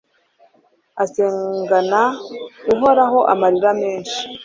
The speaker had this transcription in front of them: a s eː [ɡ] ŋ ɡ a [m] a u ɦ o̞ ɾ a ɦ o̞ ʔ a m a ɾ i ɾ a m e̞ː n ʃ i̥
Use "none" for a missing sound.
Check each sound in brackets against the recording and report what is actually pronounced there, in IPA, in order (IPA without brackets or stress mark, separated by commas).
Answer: none, n